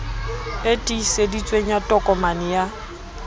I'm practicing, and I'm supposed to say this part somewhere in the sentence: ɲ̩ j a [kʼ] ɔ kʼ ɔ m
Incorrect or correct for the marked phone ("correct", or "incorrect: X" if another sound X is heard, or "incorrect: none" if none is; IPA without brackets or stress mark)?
incorrect: tʼ